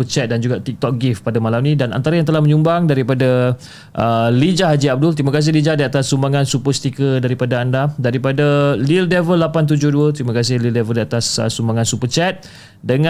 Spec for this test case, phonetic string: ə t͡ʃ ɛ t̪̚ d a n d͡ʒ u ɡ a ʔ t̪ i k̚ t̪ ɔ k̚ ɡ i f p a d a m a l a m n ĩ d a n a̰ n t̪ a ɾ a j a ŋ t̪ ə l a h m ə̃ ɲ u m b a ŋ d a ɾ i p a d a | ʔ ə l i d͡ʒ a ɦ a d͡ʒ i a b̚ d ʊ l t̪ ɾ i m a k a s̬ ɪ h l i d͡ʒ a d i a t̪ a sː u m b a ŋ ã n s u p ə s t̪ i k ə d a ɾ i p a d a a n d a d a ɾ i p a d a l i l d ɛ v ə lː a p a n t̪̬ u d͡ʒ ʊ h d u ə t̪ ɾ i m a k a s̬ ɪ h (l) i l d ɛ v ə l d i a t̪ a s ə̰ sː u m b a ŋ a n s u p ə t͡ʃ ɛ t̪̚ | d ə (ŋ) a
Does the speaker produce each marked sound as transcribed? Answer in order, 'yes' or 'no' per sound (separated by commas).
yes, yes